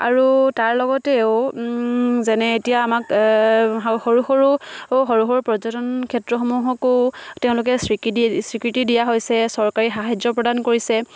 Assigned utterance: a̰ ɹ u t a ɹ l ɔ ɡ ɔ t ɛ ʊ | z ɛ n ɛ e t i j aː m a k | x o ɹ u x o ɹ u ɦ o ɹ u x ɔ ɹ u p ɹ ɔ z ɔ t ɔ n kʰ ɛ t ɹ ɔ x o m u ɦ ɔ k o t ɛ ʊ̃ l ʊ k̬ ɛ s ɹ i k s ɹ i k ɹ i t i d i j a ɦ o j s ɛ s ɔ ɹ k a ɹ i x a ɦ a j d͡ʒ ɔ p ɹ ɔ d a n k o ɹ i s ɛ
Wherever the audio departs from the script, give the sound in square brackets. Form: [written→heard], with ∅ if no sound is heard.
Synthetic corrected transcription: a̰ ɹ u t a ɹ l ɔ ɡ ɔ t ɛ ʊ | z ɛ n ɛ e t i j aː m a k | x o ɹ u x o ɹ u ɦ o ɹ u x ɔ ɹ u p ɹ ɔ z ɔ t ɔ n kʰ ɛ t ɹ ɔ x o m u ɦ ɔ k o t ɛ ʊ̃ l ʊ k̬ ɛ s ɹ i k s ɹ i k ɹ i t i d i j a ɦ o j s ɛ s ɔ ɹ k a ɹ i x a ɦ a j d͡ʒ ɔ p ɹ ɔ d a n k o ɹ i s ɛ

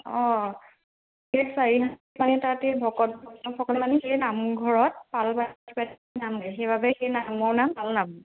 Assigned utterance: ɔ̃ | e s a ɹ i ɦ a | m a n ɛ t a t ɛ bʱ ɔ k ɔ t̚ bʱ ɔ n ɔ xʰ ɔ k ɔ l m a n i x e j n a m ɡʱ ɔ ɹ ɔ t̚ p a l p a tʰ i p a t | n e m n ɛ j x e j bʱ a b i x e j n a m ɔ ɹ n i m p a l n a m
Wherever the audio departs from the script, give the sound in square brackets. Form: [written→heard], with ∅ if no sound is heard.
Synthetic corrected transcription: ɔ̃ | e s a ɹ i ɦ a | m a n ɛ t a t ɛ bʱ ɔ k ɔ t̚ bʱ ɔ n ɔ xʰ ɔ k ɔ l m a n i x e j n a m ɡʱ ɔ ɹ ɔ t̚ p a l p a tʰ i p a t | n [e→a] m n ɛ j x e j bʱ a b [i→ɛ] x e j n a m ɔ ɹ n [i→a] m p a l n a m

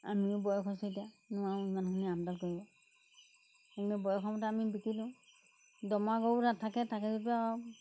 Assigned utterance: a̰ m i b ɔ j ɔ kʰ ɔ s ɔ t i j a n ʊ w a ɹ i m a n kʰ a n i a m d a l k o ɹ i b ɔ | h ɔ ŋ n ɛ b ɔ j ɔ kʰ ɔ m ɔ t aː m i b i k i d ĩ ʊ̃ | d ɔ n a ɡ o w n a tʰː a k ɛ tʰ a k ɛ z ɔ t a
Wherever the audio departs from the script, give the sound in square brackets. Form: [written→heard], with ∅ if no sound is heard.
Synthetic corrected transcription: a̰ m i b ɔ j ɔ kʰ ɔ s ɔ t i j a n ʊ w a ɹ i m a n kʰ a n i a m d a l k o ɹ i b ɔ | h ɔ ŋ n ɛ b ɔ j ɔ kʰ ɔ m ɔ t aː m i b i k i d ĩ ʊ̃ | d ɔ [n→m] a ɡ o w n a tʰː a k ɛ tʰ a k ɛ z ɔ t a

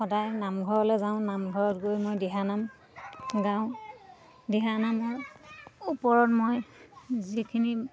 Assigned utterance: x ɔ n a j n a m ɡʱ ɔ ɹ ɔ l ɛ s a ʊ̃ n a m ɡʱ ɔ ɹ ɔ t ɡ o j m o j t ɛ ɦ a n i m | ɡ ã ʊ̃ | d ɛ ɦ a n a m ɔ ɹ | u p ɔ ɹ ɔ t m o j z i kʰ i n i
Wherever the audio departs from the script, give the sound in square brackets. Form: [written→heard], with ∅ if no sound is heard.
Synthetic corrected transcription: x ɔ [n→d] a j n a m ɡʱ ɔ ɹ ɔ l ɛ [s→z] a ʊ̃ n a m ɡʱ ɔ ɹ ɔ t ɡ o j m o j [t→d] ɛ ɦ a n [i→a] m | ɡ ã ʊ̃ | d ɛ ɦ a n a m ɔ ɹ | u p ɔ ɹ ɔ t m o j z i kʰ i n i

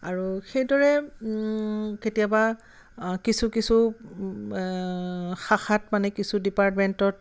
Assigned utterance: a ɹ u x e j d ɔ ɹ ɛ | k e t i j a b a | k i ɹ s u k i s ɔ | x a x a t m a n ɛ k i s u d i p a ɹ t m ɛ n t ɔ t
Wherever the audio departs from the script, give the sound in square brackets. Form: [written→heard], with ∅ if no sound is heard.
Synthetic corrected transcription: a ɹ u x e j d ɔ ɹ ɛ | k e t i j a b a | k i [ɹ→∅] s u k i s [ɔ→u] | x a x a t m a n ɛ k i s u d i p a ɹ t m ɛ n t ɔ t

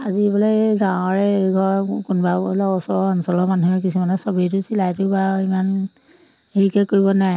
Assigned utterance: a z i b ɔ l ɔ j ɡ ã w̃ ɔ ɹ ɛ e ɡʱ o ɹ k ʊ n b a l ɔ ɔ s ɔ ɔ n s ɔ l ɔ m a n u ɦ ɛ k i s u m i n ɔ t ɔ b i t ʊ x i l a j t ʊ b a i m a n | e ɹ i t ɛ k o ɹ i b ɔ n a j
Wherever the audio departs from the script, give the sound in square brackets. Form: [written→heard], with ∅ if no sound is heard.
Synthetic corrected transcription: a z i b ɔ l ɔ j ɡ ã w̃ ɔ ɹ ɛ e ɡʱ [o→ɔ] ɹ k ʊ n b a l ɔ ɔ s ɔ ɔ n s ɔ l ɔ m a n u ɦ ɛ k i s u m [i→a] n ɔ [t→s] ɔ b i t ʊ [x→s] i l a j t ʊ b a i m a n | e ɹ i [t→k] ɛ k o ɹ i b ɔ n a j

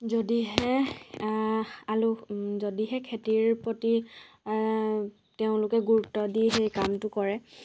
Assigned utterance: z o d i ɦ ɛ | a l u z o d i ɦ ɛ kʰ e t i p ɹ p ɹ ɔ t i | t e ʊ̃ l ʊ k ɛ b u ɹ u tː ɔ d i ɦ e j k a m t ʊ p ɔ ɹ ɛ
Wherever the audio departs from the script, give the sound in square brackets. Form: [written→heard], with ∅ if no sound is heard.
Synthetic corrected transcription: z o d i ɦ ɛ | a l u z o d i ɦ ɛ kʰ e t i [p→∅] ɹ p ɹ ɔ t i | t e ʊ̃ l ʊ k ɛ [b→ɡ] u ɹ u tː ɔ d i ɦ e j k a m t ʊ [p→k] ɔ ɹ ɛ

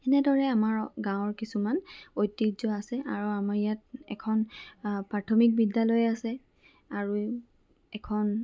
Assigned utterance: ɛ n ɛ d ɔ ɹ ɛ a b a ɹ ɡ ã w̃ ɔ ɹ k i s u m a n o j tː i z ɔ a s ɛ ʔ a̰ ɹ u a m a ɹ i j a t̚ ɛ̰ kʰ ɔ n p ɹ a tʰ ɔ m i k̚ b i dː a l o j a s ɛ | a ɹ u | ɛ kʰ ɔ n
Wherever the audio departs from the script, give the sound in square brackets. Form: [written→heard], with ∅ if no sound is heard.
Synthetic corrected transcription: ɛ n ɛ d ɔ ɹ ɛ a [b→m] a ɹ ɡ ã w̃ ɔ ɹ k i s u m a n o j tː i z ɔ a s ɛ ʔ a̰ ɹ u a m a ɹ i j a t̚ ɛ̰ kʰ ɔ n p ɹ a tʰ ɔ m i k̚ b i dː a l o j a s ɛ | a ɹ u | ɛ kʰ ɔ n

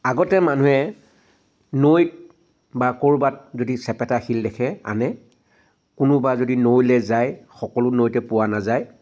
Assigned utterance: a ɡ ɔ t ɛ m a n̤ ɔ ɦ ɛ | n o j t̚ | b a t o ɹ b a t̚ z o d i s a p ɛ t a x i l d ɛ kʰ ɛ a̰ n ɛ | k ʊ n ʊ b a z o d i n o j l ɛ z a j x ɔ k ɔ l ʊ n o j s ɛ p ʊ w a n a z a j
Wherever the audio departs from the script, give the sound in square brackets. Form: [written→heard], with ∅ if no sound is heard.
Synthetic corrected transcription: a ɡ ɔ t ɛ m a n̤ [ɔ→u] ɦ ɛ | n o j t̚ | b a [t→k] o ɹ b a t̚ z o d i s [a→ɛ] p ɛ t a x i l d ɛ kʰ ɛ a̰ n ɛ | k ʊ n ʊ b a z o d i n o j l ɛ z a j x ɔ k ɔ l ʊ n o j [s→t] ɛ p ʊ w a n a z a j

